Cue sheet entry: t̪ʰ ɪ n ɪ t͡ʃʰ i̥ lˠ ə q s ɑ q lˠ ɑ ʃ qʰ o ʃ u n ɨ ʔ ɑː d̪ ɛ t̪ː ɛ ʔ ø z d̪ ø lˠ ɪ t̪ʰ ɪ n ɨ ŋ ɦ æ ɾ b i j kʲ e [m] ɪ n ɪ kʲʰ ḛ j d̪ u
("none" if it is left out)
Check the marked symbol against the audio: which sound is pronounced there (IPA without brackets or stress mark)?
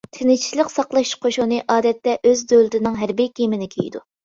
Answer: m